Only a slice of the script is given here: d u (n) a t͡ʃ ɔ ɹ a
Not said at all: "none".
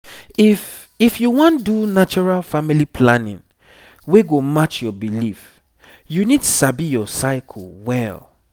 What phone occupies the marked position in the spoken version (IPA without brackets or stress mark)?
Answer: n